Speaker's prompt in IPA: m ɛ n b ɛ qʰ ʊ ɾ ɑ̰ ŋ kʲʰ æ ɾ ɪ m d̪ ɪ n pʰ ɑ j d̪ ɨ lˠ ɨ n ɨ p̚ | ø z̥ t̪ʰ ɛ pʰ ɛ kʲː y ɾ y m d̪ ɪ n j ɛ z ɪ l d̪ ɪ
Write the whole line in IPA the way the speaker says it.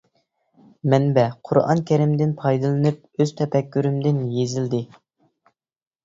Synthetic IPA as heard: m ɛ n b ɛ qʰ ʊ ɾ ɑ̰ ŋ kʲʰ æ ɾ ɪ m d̪ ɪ n pʰ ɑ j d̪ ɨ lˠ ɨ n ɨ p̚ | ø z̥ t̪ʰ ɛ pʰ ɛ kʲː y ɾ y m d̪ ɪ n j e z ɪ l d̪ ɪ